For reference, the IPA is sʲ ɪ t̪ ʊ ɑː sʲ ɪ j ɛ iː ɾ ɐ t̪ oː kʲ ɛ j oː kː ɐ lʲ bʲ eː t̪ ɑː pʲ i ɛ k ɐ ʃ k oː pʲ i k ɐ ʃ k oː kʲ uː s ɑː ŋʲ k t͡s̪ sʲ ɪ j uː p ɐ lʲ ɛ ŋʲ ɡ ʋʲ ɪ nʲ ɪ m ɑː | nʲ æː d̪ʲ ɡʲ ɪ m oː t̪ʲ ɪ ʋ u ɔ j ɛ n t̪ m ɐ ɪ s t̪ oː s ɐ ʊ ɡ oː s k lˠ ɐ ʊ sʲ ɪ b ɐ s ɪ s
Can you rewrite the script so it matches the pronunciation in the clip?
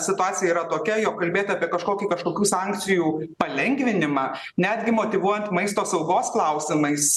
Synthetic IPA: sʲ ɪ t̪ ʊ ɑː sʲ ɪ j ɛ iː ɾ ɐ t̪ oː kʲ ɛ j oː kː ɐ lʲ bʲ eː t̪ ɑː pʲ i ɛ k ɐ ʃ k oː kʲ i k ɐ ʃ k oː kʲ uː s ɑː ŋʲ k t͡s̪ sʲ ɪ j uː p ɐ lʲ ɛ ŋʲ ɡ ʋʲ ɪ nʲ ɪ m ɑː | nʲ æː d̪ʲ ɡʲ ɪ m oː t̪ʲ ɪ ʋ u ɔ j ɛ n t̪ m ɐ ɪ s t̪ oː s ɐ ʊ ɡ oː s k lˠ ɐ ʊ sʲ ɪ m ɐ ɪ s